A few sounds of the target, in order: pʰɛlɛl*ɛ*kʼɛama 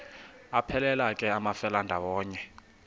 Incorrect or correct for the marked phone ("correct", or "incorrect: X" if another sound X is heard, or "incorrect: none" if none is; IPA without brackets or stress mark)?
incorrect: a